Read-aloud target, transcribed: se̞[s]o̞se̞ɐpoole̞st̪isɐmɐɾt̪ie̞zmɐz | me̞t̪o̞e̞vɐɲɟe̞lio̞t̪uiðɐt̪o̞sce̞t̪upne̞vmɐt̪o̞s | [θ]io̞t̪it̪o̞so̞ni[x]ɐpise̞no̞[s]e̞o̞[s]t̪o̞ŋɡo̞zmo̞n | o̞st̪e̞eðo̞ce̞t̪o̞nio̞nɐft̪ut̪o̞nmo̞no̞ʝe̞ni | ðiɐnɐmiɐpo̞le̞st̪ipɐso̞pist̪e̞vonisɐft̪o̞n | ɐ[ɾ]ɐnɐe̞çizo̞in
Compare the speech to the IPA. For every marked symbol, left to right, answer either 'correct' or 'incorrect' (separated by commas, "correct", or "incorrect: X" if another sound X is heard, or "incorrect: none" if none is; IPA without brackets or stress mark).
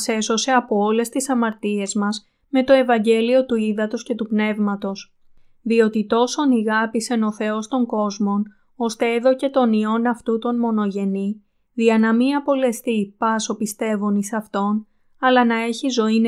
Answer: correct, incorrect: ð, incorrect: ɣ, incorrect: θ, correct, incorrect: l